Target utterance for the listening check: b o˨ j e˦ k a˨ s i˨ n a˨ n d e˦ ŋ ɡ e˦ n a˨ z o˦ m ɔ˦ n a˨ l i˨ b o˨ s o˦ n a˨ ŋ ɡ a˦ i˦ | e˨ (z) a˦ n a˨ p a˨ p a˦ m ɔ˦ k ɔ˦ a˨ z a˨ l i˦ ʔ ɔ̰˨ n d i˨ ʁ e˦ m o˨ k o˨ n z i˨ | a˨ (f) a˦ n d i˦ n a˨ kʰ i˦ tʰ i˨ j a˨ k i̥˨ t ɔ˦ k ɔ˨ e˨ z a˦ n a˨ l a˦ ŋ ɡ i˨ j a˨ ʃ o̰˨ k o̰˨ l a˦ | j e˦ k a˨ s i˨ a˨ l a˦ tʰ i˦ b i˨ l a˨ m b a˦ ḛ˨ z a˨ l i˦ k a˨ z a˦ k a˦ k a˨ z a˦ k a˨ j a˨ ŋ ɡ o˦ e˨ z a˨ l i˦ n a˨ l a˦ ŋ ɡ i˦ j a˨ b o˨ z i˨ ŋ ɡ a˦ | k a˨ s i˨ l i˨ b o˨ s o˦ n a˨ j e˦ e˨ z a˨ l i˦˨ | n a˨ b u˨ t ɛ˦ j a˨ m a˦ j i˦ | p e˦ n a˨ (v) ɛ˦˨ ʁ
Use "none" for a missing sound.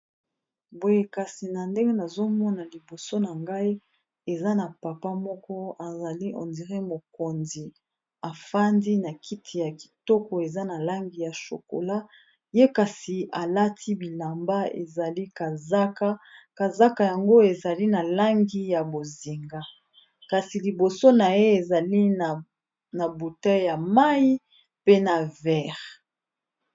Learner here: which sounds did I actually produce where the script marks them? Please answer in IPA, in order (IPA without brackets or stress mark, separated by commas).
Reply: z, f, v